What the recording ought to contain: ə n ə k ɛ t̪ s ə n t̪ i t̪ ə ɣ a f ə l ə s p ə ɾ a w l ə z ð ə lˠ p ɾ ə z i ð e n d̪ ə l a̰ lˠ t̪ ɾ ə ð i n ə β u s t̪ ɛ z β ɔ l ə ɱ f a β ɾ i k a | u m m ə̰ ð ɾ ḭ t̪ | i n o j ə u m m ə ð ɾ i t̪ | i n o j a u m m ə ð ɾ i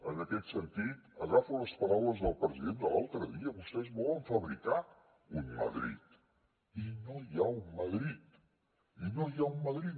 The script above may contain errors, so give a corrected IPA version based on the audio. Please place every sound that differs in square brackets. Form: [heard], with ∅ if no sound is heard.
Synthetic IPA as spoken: ə n ə k ɛ t̪ s ə n t̪ i t̪ ə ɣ a f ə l ə s p ə ɾ a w l ə z ð ə lˠ p ɾ ə z i ð e n d̪ ə l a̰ lˠ t̪ ɾ ə ð i [∅] ə β u s t̪ ɛ z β ɔ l ə ɱ f [ə] β ɾ i k a | u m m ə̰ ð ɾ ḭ t̪ | i n o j [a] u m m ə ð ɾ i t̪ | i n o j a u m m ə ð ɾ i